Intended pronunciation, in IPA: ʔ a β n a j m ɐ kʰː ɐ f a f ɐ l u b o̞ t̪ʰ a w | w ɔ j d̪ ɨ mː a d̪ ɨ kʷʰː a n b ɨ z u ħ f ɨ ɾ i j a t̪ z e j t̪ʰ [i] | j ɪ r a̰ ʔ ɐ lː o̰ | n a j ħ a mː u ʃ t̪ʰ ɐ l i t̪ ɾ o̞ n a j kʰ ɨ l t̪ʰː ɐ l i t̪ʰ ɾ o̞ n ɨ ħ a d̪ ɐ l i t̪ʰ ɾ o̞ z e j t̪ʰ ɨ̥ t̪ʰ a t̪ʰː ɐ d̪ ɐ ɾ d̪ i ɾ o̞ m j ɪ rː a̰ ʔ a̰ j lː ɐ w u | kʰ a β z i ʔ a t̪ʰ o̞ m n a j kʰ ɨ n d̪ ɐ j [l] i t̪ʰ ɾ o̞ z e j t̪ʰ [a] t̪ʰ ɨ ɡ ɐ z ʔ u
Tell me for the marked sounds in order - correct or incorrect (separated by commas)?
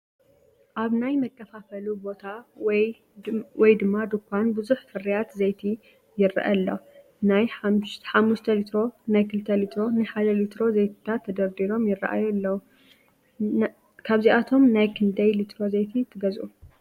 correct, correct, incorrect